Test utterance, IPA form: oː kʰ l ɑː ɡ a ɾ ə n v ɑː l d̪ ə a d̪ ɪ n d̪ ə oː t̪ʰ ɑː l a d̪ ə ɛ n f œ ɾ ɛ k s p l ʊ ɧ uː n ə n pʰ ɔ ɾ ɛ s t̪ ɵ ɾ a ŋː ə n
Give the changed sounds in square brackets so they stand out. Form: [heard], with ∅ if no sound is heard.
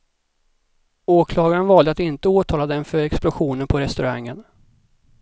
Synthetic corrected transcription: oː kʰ l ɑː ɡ a ɾ ə n v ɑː l d̪ ə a [t̪] ɪ n [t̪] ə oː t̪ʰ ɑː l a d̪ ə ɛ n f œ ɾ ɛ k s p l ʊ ɧ uː n ə n pʰ ɔ ɾ ɛ s t̪ ɵ ɾ a ŋː ə n